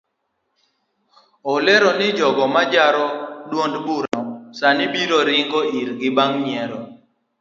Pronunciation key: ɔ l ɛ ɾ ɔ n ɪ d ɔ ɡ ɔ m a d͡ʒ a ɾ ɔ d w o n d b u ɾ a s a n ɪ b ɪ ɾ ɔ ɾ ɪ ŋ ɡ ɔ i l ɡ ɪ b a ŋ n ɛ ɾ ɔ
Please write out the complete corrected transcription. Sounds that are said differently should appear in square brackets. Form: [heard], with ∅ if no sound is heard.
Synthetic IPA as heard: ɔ l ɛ ɾ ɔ n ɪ [d͡ʒ] ɔ ɡ ɔ m a d͡ʒ a ɾ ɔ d w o n d b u ɾ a s a n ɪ b [i] ɾ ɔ ɾ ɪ ŋ ɡ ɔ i [ɾ] ɡ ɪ b a ŋ [ɲ] ɛ ɾ ɔ